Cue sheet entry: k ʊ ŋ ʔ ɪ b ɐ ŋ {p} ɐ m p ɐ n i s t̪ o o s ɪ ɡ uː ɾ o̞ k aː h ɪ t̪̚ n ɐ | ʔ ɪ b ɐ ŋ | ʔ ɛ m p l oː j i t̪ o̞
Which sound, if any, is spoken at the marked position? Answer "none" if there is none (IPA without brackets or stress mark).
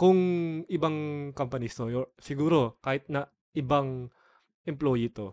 k